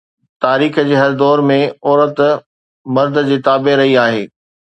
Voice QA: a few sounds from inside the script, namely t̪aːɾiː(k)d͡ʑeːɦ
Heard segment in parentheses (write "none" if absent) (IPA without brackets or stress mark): x